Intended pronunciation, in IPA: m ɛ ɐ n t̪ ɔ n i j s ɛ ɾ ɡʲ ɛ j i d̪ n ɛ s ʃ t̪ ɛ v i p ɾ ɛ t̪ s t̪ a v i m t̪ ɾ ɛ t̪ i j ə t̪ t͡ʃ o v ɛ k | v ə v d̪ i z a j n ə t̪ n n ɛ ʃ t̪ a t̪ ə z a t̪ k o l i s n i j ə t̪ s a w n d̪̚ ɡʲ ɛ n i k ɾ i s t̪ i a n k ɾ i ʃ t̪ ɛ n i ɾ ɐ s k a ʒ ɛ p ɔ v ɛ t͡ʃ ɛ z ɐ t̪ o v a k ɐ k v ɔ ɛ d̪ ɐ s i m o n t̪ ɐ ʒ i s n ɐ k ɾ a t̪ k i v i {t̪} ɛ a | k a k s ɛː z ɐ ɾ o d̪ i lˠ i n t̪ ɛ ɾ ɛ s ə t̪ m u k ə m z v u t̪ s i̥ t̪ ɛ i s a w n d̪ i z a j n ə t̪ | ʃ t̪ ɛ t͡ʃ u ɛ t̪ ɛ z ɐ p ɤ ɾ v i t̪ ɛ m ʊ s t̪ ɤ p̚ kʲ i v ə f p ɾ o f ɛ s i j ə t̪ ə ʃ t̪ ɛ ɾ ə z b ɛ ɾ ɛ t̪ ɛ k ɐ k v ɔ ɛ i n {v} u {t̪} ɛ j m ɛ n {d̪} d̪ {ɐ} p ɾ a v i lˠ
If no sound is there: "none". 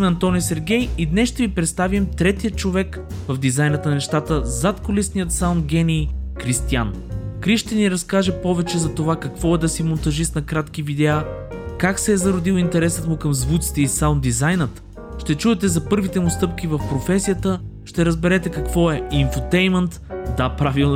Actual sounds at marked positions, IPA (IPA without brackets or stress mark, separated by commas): d̪, f, t̪, t̪, a